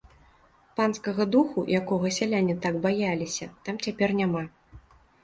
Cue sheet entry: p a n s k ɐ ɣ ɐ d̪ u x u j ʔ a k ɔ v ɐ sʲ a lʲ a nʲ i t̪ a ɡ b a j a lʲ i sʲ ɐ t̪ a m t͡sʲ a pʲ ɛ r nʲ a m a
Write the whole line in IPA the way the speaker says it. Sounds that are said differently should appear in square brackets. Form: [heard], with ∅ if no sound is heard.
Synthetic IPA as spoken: p a n s k ɐ ɣ ɐ d̪ u x u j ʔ a k ɔ [ɣ] ɐ sʲ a lʲ a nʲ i t̪ a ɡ b a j a lʲ i sʲ ɐ t̪ a m t͡sʲ a pʲ ɛ r nʲ a m a